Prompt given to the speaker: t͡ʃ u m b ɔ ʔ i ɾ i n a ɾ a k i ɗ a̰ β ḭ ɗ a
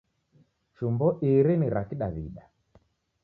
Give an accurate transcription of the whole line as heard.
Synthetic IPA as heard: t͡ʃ u m b ɔ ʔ i ɾ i n i ɾ a k i ɗ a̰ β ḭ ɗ a